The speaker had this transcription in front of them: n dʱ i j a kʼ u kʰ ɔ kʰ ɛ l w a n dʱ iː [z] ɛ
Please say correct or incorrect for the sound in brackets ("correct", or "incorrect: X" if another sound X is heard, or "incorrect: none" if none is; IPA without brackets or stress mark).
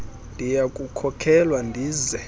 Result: correct